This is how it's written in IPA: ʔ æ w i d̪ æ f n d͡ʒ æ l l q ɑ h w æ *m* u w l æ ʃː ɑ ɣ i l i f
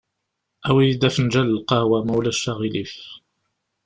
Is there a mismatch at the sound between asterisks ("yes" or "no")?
no